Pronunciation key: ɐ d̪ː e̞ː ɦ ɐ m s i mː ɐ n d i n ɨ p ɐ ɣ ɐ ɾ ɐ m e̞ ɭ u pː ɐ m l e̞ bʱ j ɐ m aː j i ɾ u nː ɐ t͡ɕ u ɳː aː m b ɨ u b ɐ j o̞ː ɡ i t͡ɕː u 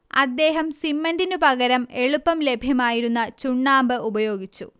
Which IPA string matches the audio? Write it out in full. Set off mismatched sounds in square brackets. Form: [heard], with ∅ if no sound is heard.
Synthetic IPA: ɐ d̪ː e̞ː ɦ ɐ m s i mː ɐ n d i n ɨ p ɐ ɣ ɐ ɾ ɐ m e̞ ɭ u pː ɐ m l e̞ bʱ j ɐ m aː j i ɾ u nː ɐ t͡ɕ u ɳː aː m b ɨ u b ɐ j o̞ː ɡ i t͡ɕː u